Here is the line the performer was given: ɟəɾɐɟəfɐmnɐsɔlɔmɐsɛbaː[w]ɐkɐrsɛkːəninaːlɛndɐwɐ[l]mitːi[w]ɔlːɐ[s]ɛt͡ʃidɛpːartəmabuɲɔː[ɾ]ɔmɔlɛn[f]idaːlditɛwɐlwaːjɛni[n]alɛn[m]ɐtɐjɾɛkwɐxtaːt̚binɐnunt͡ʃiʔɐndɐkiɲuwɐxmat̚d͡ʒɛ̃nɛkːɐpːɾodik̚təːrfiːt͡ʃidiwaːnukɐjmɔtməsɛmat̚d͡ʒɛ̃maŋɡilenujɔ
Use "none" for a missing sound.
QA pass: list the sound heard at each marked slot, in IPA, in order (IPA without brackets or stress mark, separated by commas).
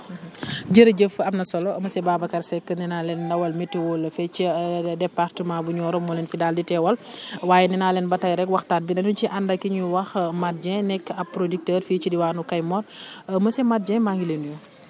b, l, w, f, ɾ, f, n, b